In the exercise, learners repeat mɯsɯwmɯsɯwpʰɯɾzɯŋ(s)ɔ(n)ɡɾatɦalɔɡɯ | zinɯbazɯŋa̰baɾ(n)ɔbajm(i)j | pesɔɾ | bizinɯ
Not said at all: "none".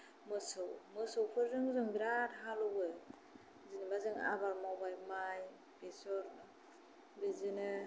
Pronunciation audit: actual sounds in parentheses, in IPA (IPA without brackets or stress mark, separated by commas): z, ŋ, m, a